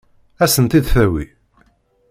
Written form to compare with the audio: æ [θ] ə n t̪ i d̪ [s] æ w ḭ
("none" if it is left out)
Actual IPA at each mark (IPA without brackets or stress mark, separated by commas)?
s, θ